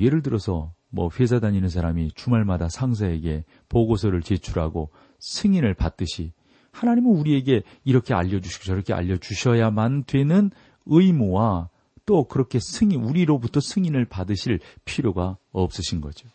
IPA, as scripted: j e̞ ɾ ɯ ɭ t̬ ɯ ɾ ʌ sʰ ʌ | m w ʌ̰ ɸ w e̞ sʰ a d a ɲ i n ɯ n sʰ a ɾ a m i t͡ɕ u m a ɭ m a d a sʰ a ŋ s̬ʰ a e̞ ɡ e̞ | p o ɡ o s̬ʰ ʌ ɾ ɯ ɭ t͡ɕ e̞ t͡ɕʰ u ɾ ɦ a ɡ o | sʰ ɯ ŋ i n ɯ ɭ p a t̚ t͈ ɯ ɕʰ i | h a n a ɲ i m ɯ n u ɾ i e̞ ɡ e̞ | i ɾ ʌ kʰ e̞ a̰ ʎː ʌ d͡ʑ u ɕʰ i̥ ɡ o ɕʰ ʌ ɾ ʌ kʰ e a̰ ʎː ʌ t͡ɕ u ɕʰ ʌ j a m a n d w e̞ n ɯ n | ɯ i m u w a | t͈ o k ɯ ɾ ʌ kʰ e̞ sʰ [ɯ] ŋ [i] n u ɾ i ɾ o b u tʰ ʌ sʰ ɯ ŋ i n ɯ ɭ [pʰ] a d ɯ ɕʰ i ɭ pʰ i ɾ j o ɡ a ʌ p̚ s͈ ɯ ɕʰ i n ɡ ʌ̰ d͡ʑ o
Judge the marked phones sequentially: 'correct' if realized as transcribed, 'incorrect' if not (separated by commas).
correct, correct, incorrect